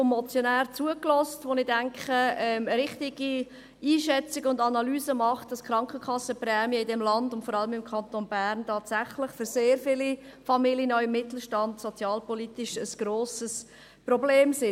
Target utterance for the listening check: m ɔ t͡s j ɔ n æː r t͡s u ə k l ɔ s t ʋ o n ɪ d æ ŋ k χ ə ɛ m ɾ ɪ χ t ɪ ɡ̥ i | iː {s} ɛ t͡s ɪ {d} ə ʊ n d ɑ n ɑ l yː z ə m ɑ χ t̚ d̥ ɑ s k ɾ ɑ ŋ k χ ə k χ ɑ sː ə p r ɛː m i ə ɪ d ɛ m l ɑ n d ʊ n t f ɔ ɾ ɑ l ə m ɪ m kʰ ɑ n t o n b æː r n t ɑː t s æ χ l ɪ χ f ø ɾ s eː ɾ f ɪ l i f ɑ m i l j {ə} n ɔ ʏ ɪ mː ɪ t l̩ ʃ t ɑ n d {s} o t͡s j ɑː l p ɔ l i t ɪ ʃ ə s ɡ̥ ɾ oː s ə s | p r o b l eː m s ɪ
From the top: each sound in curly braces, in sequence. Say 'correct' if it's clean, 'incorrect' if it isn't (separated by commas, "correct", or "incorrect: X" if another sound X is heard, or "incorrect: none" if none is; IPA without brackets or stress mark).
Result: incorrect: ʃ, incorrect: ɡ, correct, correct